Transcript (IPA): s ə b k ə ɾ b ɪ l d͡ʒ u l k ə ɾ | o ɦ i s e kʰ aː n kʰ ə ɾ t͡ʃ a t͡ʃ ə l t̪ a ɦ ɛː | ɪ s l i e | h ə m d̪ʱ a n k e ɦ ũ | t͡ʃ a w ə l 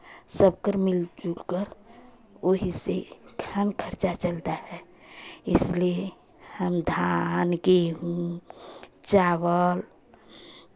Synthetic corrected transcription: s ə b k ə ɾ m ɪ l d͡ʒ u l k ə ɾ | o ɦ i s e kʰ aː n kʰ ə ɾ t͡ʃ a t͡ʃ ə l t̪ a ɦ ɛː | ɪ s l i e | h ə m d̪ʱ a n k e ɦ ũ | t͡ʃ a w ə l